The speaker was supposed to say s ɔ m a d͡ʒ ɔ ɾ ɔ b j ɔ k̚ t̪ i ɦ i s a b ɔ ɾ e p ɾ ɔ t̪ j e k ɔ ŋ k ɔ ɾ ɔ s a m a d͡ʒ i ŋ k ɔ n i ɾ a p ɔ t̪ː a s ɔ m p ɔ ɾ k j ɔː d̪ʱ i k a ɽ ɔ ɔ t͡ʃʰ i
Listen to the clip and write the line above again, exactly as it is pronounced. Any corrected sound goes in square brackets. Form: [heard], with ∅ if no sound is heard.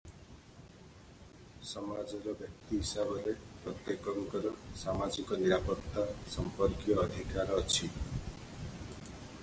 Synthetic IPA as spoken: s ɔ m a d͡ʒ ɔ ɾ ɔ b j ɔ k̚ t̪ i ɦ i s a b ɔ ɾ e p ɾ ɔ t̪ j e k ɔ ŋ k ɔ ɾ ɔ s a m a d͡ʒ i [∅] k ɔ n i ɾ a p ɔ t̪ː a s ɔ m p ɔ ɾ k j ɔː d̪ʱ i k a [ɾ] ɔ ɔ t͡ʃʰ i